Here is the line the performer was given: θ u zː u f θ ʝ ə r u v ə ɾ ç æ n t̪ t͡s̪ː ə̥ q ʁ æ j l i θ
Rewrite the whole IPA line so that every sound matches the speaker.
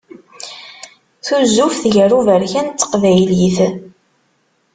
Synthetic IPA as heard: θ u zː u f θ ʝ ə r u v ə ɾ ç æ n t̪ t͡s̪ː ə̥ q v æ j l i θ